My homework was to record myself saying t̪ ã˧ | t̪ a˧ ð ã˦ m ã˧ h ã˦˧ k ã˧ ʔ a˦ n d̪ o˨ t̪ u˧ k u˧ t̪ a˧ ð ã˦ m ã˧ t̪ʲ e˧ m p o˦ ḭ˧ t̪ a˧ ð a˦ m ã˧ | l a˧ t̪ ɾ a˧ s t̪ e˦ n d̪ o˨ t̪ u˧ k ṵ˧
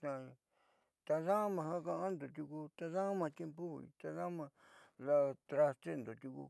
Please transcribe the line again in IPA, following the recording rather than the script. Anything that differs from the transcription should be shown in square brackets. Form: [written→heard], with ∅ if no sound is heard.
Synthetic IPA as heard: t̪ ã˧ | t̪ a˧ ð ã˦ m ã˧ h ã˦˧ k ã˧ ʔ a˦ n d̪ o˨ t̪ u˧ k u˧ t̪ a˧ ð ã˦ m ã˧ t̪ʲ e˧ m p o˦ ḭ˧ t̪ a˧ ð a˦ m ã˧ | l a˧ t̪ ɾ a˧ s t̪ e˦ n d̪ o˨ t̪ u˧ k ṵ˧